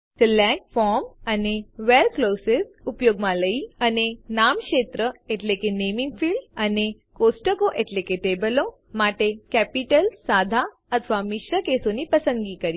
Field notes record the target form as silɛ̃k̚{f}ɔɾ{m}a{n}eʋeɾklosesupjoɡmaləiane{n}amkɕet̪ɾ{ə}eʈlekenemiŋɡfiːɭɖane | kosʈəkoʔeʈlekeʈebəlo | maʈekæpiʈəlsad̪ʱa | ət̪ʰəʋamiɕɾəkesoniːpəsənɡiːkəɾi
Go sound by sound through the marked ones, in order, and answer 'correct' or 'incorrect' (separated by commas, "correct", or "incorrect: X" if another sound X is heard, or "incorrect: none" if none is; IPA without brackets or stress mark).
correct, correct, correct, correct, correct